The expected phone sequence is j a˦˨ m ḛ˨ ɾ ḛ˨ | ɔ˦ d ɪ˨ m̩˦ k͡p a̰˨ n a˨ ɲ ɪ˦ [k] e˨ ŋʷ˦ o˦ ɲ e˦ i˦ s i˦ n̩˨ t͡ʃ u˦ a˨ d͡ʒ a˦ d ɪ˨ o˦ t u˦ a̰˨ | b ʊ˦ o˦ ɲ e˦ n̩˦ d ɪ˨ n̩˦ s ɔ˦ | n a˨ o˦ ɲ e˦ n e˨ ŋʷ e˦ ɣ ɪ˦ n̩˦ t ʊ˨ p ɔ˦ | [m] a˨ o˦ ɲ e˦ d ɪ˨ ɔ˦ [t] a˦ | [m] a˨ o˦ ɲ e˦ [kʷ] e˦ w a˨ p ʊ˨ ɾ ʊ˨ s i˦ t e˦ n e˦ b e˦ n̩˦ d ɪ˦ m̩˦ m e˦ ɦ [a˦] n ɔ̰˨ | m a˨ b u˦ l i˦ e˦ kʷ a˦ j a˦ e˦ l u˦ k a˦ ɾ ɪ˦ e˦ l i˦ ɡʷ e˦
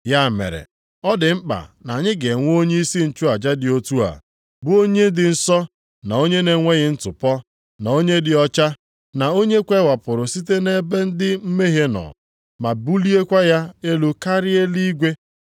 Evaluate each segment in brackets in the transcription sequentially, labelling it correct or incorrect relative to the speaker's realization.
incorrect: ɡ, incorrect: n, incorrect: t͡ʃ, incorrect: n, correct, incorrect: e˦

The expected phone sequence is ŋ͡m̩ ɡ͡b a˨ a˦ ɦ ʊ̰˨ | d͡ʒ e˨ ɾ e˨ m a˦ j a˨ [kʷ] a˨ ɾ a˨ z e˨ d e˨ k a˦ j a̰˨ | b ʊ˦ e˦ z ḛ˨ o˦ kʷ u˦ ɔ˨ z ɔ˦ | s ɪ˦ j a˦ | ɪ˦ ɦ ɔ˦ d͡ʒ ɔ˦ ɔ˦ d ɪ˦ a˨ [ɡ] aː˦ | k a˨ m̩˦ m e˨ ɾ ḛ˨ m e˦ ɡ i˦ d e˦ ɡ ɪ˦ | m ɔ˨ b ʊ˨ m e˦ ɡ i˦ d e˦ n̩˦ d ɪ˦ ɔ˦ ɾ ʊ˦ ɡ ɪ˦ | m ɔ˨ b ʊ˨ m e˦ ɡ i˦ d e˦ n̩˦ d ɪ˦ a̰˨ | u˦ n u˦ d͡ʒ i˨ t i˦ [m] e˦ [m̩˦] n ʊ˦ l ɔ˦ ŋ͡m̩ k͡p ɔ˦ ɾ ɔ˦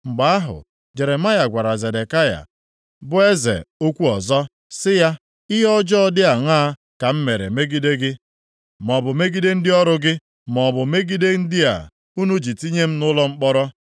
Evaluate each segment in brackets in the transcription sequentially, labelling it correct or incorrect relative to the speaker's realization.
incorrect: ɡʷ, incorrect: ŋ, incorrect: ɲ, correct

